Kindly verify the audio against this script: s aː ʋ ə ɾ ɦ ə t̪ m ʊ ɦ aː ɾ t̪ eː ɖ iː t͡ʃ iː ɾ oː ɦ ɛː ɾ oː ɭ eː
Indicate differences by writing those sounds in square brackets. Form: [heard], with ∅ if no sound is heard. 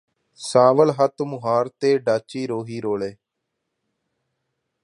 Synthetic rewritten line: s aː ʋ ə [l] ɦ ə t̪ m ʊ ɦ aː ɾ t̪ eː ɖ [aː] t͡ʃ iː ɾ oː ɦ [iː] ɾ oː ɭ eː